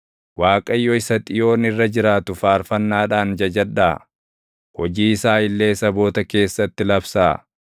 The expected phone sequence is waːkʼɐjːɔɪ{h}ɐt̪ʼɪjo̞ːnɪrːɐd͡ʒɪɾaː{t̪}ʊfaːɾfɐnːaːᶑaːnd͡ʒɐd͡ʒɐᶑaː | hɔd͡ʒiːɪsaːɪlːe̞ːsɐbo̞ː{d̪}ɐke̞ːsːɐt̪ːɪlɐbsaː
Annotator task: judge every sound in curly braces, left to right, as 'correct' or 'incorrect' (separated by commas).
incorrect, correct, incorrect